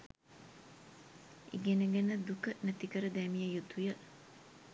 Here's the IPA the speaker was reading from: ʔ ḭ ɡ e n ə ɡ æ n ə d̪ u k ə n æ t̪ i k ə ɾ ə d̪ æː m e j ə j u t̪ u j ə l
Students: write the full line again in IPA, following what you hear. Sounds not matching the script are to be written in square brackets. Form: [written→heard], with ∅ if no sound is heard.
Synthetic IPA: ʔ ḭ ɡ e n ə ɡ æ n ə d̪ u k ə n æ t̪ i k ə ɾ ə d̪ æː m [e→i] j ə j u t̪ u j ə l